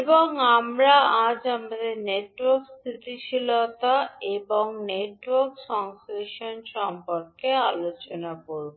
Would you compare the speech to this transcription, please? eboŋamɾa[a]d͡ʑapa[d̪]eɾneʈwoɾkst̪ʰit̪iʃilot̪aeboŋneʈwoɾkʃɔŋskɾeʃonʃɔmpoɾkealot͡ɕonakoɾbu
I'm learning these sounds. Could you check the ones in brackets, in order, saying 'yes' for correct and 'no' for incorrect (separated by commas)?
yes, yes